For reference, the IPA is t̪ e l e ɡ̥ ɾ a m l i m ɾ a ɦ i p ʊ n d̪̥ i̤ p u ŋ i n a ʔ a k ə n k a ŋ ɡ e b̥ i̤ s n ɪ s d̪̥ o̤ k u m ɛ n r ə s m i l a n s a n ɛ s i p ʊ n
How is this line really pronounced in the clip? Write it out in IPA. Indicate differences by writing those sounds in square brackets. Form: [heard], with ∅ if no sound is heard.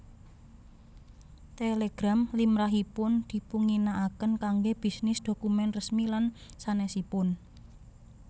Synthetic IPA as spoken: t̪ e l e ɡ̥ ɾ a m l i m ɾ a ɦ i p ʊ n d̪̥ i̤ p u ŋ i n a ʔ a k ə n k a ŋ ɡ e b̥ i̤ s n ɪ s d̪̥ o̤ k u m ɛ n r ə s m i l a n s a n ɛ s i p ʊ n